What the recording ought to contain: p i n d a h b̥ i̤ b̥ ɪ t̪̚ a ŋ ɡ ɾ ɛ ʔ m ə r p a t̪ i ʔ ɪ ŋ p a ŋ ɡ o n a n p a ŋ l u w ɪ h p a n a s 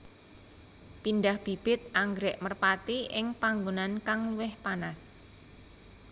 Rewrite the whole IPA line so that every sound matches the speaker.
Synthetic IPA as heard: p i n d a h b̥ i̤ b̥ ɪ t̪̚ a ŋ ɡ ɾ ɛ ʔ m ə r p a t̪ i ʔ ɪ ŋ p a ŋ ɡ o n a n k a ŋ l u w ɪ h p a n a s